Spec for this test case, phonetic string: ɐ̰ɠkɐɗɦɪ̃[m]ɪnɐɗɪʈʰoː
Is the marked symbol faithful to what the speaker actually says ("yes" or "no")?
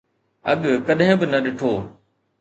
no